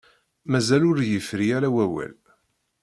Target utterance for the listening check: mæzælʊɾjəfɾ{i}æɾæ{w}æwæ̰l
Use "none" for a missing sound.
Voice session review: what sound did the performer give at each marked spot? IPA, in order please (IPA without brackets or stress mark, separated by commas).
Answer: i, w